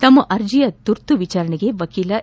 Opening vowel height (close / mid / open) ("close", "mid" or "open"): open